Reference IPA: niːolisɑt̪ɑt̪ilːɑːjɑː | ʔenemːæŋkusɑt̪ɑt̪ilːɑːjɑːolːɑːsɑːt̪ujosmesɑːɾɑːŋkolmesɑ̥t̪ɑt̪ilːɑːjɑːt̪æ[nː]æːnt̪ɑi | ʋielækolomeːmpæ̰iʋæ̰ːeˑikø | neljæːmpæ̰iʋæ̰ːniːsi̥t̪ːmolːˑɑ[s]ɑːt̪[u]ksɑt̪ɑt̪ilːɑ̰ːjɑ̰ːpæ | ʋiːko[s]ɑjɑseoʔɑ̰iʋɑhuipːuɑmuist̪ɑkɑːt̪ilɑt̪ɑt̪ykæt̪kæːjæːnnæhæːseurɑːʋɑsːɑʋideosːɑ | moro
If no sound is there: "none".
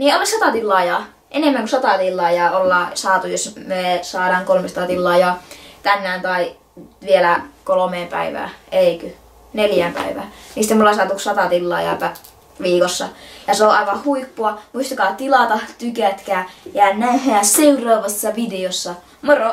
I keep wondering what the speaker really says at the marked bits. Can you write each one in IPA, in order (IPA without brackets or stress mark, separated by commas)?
nː, s, u, sː